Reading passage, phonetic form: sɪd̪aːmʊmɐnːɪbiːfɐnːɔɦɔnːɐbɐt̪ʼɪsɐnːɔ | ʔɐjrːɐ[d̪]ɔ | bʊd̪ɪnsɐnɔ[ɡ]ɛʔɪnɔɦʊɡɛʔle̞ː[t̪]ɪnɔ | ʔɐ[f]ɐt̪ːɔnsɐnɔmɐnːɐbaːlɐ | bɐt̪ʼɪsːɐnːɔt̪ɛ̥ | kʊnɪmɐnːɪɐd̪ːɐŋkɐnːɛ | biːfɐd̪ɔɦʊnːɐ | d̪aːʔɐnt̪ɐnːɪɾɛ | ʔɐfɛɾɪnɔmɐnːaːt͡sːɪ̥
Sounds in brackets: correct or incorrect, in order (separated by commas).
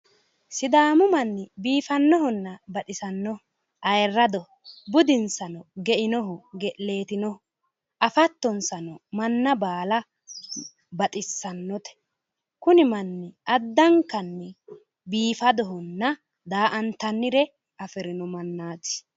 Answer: correct, correct, correct, correct